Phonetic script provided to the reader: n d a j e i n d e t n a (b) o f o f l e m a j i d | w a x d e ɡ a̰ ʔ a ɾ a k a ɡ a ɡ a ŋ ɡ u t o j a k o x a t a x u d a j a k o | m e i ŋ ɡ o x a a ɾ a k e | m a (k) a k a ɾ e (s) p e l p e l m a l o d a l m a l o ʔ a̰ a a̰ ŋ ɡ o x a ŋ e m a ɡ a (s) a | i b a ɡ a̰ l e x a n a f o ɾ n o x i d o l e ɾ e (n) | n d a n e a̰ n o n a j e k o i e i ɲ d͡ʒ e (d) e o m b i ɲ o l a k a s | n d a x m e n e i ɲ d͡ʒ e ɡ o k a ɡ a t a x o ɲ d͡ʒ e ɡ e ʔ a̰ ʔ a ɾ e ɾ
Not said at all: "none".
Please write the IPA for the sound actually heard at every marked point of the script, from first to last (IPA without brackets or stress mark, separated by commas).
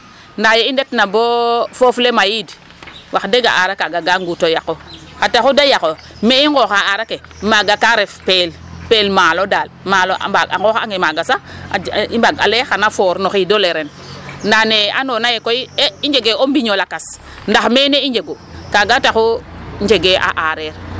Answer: b, ɡ, f, s, n, ɡ